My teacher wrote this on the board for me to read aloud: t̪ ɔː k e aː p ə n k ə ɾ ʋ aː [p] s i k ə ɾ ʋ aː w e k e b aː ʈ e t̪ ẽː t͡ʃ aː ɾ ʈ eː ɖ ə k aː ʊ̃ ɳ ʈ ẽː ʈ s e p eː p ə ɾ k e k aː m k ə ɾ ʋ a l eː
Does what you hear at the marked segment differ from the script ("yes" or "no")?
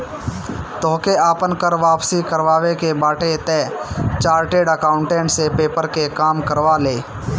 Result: no